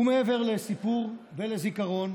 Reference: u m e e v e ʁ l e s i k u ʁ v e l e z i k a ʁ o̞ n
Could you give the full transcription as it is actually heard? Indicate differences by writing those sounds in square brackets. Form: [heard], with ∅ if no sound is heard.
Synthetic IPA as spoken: u m e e v e ʁ l e s i [p] u ʁ v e l e z i k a ʁ o̞ n